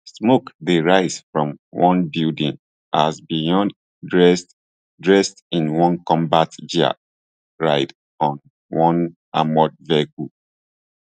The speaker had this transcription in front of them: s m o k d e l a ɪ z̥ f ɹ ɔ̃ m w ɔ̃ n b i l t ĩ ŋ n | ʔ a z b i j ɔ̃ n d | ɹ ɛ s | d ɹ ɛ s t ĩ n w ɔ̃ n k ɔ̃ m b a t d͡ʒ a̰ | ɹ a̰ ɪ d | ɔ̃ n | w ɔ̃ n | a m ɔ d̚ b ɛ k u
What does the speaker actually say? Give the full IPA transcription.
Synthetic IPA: s m o k d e ɹ a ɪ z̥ f ɹ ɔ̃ m w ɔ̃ n b i l d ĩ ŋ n | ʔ a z b i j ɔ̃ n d | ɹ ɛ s | d ɹ ɛ s t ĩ n w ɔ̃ n k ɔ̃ m b a t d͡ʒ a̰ | ɹ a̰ ɪ d | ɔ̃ n | w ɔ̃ n | a m ɔ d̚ v ɛ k u